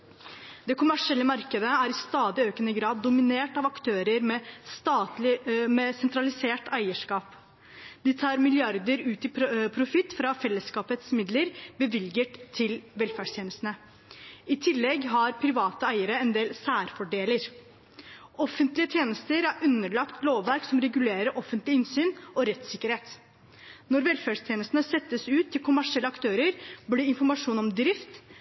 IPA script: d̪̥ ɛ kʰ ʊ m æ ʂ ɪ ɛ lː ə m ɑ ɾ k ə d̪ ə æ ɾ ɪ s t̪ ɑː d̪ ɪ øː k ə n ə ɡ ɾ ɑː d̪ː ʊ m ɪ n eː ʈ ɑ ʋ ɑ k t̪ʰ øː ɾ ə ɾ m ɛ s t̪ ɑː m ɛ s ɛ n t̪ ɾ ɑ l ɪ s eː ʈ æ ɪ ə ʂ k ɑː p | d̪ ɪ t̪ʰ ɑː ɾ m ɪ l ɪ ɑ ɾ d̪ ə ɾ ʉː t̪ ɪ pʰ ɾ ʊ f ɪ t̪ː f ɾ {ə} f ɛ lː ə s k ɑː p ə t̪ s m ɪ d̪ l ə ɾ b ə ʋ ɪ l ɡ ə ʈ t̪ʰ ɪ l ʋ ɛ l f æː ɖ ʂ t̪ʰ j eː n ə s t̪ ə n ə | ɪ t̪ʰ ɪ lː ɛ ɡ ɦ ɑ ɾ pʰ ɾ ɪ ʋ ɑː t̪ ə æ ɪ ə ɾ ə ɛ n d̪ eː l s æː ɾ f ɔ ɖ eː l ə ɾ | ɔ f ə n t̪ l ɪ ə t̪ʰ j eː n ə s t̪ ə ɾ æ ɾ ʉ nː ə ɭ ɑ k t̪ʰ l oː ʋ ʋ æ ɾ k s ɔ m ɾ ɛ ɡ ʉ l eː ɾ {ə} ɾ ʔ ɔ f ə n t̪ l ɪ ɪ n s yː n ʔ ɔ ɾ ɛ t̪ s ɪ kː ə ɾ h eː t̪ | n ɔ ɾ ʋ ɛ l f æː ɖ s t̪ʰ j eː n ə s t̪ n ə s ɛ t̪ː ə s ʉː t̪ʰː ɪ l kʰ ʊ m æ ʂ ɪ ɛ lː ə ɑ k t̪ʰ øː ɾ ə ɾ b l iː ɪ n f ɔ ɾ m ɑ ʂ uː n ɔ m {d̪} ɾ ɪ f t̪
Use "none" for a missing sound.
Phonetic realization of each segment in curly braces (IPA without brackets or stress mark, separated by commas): ɑ, ə, d̪